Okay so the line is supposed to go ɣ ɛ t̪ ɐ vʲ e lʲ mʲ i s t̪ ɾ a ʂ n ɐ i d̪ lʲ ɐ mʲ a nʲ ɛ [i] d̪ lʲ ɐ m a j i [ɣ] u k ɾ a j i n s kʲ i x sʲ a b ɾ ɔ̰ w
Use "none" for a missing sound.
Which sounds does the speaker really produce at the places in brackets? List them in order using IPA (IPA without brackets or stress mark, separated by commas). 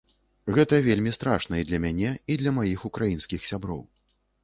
i, x